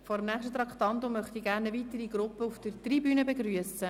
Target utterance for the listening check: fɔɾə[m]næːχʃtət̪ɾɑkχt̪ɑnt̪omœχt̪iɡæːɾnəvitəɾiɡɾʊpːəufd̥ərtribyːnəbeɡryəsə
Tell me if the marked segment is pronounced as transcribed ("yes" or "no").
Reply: yes